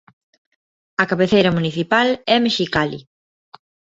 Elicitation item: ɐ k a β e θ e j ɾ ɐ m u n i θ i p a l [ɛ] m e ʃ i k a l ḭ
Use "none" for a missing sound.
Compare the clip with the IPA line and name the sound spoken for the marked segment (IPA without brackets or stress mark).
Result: ɛ